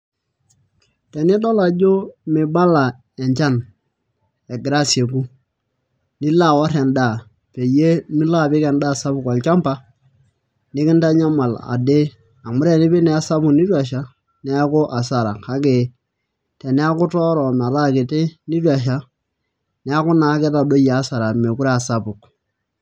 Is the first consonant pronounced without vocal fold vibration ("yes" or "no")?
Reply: yes